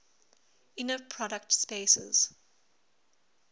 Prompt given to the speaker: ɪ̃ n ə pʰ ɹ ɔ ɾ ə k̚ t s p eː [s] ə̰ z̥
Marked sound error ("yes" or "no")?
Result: no